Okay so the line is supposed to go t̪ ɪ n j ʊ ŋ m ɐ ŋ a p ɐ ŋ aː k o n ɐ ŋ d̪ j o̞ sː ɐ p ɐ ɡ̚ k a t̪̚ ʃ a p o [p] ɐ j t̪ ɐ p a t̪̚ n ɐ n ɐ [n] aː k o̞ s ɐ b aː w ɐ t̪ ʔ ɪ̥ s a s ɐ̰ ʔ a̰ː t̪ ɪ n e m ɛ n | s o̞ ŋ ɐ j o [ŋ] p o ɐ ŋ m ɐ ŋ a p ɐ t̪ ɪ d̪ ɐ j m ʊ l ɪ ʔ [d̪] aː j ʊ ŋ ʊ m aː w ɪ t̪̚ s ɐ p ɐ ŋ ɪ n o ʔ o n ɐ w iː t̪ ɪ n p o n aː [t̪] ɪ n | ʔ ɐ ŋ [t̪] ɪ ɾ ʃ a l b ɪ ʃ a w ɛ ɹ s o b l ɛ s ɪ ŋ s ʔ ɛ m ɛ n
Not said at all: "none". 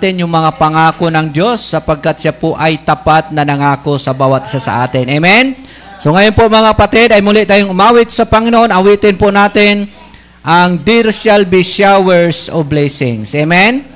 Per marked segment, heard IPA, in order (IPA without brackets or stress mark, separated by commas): ʔ, ŋ, n, t̪, t̪, d̪